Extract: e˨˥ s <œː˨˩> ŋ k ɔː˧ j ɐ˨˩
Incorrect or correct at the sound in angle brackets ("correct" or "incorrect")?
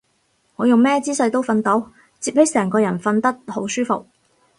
incorrect